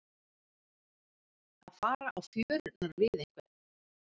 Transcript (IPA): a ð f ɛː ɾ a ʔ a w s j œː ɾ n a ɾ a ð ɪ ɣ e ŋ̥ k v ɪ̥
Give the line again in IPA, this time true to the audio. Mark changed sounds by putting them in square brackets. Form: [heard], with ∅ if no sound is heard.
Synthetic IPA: a ð f [aː] ɾ a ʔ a w [f] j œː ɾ n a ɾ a [v] ɪ [ð] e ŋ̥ k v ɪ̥

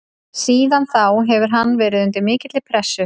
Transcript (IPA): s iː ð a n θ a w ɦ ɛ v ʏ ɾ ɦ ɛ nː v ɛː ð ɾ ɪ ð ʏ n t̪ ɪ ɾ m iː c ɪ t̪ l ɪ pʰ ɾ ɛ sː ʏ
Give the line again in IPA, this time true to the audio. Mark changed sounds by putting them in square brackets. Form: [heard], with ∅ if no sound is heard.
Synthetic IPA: s iː ð a n θ a w ɦ ɛ v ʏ ɾ ɦ [a] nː v ɛː [∅] ɾ ɪ ð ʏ n t̪ ɪ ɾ m [ɪː] c ɪ t̪ l ɪ pʰ ɾ ɛ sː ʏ

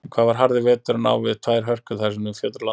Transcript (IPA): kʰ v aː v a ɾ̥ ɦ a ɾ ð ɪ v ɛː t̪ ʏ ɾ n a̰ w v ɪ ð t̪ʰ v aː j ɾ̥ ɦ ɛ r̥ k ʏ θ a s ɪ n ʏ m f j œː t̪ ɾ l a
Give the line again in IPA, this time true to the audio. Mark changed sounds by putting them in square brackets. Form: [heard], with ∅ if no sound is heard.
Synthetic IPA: kʰ v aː v a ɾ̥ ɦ a ɾ ð ɪ v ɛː t̪ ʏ ɾ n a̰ w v ɪ ð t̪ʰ v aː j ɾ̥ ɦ [œ] r̥ k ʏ θ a s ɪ n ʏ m f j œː t̪ ɾ l a

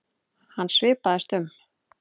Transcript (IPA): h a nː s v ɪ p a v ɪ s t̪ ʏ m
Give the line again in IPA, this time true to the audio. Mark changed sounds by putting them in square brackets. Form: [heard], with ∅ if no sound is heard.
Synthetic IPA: h a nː s v [ɪː] p a [ð] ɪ s t̪ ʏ m

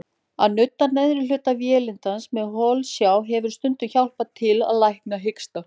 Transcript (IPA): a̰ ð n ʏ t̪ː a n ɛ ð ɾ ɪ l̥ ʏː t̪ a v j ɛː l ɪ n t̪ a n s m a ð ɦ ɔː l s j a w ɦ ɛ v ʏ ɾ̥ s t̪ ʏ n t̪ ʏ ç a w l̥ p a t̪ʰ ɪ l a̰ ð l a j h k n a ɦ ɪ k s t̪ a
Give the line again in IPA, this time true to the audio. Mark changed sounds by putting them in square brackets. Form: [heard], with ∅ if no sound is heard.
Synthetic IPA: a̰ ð n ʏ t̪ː a n ɛ ð ɾ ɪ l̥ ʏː t̪ a v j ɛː l ɪ n t̪ a n s m [ɛ] ð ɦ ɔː l s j a w ɦ ɛ v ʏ ɾ̥ s t̪ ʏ n t̪ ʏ ç a w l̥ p a t̪ʰ ɪ l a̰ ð l a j h k n a ɦ ɪ k s t̪ a

